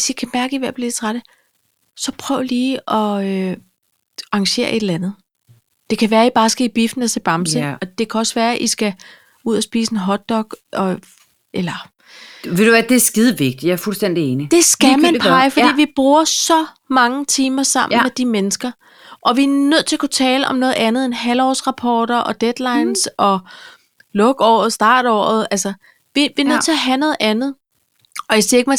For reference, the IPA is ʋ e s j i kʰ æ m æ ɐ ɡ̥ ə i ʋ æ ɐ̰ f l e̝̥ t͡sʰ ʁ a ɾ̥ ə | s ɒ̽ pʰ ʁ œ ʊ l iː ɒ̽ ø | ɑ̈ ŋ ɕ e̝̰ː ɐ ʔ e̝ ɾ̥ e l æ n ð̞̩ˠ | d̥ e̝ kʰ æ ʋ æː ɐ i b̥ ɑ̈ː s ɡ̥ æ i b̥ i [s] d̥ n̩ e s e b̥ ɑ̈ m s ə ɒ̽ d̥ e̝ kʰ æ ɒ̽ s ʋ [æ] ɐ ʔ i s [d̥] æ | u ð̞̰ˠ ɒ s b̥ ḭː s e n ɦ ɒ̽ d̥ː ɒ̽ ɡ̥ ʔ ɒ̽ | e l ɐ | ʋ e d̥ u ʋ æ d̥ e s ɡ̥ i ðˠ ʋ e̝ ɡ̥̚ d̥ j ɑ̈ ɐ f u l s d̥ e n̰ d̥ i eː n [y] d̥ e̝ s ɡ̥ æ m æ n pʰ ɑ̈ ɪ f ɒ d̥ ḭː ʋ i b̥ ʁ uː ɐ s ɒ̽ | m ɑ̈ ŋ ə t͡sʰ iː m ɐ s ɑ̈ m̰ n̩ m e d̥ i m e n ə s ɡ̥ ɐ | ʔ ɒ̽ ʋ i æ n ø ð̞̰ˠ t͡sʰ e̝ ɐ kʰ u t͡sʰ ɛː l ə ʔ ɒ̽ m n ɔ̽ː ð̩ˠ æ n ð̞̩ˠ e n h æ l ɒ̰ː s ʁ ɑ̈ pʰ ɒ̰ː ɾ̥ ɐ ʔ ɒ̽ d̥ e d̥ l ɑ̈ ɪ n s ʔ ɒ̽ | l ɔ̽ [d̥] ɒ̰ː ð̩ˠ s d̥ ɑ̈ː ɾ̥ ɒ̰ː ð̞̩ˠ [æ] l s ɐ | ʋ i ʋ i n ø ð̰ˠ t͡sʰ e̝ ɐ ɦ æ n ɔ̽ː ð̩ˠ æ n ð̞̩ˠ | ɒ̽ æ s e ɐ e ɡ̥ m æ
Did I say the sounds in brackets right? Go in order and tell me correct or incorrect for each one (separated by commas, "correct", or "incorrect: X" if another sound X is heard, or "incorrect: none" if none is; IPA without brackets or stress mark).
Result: incorrect: f, incorrect: æː, incorrect: ɡ̥, incorrect: i, incorrect: ɡ̥, correct